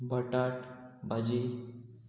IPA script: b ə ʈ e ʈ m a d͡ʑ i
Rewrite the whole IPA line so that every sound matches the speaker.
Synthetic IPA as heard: b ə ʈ a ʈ b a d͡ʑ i